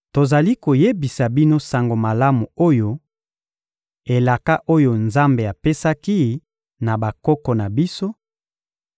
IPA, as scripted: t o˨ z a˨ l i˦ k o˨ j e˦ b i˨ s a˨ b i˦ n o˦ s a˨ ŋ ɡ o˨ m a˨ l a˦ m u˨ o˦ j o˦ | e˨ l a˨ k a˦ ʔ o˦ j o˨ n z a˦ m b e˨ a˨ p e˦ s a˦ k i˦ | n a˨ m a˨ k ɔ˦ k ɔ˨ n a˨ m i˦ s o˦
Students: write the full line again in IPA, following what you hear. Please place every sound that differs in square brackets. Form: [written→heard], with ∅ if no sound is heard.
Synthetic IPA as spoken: t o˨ z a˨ l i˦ k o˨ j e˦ b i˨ s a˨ b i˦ n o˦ s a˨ ŋ ɡ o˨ m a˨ l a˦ m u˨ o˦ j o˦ | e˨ l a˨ k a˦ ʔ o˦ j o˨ n z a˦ m b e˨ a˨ p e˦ s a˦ k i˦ | n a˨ [m→b] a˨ k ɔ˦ k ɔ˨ n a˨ [m→b] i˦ s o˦